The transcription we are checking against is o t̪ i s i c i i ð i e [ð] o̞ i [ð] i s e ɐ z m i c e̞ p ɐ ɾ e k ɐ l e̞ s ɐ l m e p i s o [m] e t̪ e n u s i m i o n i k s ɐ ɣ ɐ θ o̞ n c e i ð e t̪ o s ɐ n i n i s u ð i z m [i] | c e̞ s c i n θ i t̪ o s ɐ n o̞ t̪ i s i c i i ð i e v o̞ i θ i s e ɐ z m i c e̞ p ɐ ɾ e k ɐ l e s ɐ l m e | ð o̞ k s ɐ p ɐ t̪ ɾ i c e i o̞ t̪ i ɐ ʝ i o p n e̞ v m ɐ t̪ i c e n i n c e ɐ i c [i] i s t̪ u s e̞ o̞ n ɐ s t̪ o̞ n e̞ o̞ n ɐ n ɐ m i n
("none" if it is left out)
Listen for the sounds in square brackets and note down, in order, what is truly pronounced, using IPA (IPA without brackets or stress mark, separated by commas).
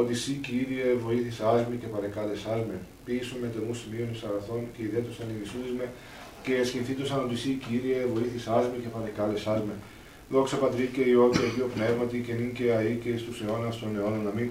v, θ, m, e, e